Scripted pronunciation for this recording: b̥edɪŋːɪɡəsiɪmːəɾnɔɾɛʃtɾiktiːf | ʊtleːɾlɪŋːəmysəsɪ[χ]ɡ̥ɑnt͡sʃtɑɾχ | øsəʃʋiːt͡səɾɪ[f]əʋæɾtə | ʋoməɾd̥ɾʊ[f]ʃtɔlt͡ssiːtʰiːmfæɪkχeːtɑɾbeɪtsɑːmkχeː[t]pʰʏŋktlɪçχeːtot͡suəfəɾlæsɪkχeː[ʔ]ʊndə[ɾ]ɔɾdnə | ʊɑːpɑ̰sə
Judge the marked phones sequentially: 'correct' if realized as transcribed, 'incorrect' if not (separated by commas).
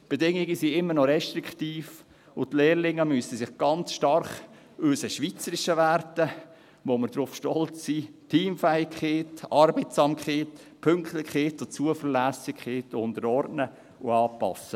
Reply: correct, incorrect, correct, correct, incorrect, correct